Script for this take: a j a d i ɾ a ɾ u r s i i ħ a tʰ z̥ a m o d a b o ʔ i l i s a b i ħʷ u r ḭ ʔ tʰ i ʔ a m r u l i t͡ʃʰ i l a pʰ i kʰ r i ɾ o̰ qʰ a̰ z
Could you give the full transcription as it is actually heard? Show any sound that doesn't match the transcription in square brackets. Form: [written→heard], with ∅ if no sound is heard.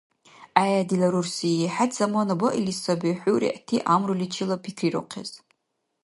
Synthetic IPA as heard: a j a d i [ɾ→l] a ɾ u r s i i ħ a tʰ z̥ a m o [d→n] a b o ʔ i l i s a b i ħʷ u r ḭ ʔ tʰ i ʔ a m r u l i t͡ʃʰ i l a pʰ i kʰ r i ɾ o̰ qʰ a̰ z

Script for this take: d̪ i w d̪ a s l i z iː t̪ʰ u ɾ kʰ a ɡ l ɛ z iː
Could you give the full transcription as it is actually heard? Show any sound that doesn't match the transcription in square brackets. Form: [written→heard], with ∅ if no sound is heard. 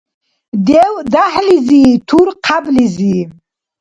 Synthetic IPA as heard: d̪ [i→ɛ] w d̪ a [s→ħ] l i z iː t̪ʰ u ɾ [kʰ→qʰ] a [ɡ→b] l [ɛ→i] z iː

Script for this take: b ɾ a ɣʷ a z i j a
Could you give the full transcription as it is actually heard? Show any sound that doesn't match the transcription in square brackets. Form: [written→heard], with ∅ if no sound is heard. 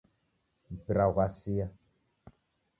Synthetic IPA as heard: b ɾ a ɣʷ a [z→s] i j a

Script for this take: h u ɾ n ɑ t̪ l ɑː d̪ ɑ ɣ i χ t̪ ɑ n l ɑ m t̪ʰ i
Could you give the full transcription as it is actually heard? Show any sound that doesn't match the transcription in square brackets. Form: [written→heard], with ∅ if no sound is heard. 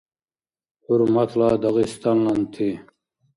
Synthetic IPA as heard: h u ɾ [n→m] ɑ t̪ l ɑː d̪ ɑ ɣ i [χ→s] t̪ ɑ n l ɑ [m→n] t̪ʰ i

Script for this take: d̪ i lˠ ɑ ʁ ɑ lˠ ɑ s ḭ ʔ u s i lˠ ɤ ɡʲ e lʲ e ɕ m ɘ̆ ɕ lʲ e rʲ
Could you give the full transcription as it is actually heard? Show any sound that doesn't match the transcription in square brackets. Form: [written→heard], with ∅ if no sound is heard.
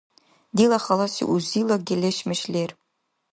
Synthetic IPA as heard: d̪ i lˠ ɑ [ʁ→χ] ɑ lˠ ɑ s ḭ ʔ u [s→z] i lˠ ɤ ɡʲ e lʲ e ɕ m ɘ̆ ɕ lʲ e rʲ

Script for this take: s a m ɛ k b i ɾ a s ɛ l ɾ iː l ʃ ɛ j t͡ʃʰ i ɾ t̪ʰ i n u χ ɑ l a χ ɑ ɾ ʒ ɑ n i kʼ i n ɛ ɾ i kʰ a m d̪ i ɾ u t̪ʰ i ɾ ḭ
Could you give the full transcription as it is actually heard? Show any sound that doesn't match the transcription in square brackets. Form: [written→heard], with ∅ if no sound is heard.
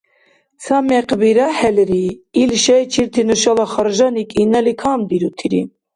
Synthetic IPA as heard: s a m ɛ [k→q] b i ɾ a [s→h] ɛ l ɾ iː l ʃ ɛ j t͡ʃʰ i ɾ t̪ʰ i n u [χ→ʃ] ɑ l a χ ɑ ɾ ʒ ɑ n i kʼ i n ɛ [ɾ→l] i kʰ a m d̪ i ɾ u t̪ʰ i ɾ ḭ

